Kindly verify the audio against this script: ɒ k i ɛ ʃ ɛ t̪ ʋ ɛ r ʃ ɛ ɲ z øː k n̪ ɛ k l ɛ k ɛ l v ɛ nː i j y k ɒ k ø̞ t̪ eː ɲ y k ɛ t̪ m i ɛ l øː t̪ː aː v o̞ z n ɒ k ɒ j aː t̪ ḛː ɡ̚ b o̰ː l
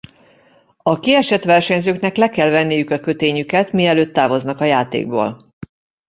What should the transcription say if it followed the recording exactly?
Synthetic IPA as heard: ɒ k i ɛ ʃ ɛ t̪ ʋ ɛ r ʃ ɛ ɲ z øː k n̪ ɛ k l ɛ k ɛ l v ɛ nː i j y k ɒ k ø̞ t̪ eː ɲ y k ɛ t̪ m i ɛ l øː t̪ː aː v o̞ z n ɒ k ɒ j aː t̪ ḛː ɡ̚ b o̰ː l